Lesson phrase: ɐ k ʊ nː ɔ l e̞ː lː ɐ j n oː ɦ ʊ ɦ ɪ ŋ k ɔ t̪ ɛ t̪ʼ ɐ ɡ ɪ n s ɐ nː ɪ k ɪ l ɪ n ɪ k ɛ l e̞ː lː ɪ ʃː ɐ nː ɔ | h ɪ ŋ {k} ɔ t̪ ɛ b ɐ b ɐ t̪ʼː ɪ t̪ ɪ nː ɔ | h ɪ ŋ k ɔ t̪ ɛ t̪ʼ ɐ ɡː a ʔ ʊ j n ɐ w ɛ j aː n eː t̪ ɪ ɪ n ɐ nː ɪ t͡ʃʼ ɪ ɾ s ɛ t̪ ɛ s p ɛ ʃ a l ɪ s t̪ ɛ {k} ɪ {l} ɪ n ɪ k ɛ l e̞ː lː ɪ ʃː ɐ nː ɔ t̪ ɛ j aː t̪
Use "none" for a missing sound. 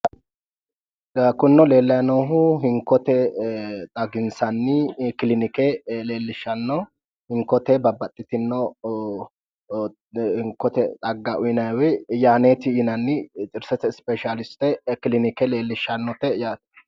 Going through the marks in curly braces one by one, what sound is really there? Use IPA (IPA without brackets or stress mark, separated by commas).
k, k, l